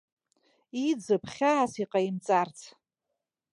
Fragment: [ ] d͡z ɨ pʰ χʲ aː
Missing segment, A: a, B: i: B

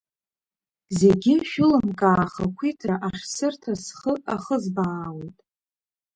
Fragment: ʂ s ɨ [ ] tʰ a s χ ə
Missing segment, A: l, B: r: B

